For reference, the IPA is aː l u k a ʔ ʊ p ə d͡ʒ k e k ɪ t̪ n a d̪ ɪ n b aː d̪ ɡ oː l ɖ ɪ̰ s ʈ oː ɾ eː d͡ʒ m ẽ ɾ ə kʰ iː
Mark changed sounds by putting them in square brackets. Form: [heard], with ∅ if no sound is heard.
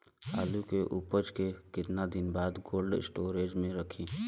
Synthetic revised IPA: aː l u k [e] ʔ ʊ p ə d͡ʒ k e k ɪ t̪ n a d̪ ɪ n b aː d̪ ɡ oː l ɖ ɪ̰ s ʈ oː ɾ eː d͡ʒ m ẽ ɾ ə kʰ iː